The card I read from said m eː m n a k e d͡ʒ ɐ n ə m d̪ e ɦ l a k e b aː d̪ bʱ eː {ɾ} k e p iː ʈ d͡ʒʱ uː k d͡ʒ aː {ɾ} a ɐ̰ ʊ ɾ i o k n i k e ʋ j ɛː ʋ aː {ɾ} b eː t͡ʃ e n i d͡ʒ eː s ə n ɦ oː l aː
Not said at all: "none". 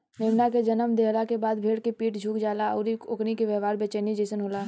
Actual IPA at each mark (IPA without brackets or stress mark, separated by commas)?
ɽ, l, ɾ